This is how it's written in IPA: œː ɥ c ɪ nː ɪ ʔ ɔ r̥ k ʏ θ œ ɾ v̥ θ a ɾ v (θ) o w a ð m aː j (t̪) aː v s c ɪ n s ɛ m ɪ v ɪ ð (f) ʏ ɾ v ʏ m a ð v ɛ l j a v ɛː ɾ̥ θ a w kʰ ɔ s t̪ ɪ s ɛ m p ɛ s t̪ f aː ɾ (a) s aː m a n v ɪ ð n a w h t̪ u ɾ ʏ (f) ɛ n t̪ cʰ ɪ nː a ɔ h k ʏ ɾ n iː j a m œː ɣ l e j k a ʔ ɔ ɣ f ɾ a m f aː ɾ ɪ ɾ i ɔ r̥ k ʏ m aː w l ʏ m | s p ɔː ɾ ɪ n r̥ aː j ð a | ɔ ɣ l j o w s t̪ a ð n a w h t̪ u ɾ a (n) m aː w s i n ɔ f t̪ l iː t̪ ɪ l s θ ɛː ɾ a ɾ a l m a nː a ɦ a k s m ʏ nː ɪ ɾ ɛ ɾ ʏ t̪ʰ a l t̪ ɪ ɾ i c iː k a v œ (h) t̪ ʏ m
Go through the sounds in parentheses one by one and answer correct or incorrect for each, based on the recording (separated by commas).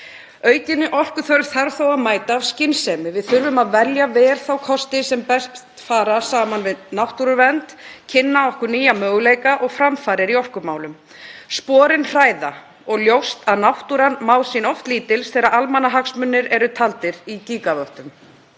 correct, correct, incorrect, correct, incorrect, correct, correct